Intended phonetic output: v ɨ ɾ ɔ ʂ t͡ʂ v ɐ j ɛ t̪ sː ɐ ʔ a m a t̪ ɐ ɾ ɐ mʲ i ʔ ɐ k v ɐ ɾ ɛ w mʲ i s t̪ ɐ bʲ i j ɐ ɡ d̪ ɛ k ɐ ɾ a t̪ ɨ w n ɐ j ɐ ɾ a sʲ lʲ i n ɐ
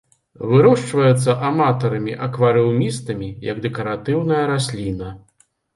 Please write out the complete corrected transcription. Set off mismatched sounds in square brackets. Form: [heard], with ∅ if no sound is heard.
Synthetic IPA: v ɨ ɾ ɔ ʂ t͡ʂ v ɐ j ɛ t̪ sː ɐ ʔ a m a t̪ ɐ ɾ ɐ mʲ i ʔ ɐ k v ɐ ɾ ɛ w mʲ i s t̪ ɐ [mʲ] i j ɐ ɡ d̪ ɛ k ɐ ɾ a t̪ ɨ w n ɐ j ɐ ɾ a sʲ lʲ i n ɐ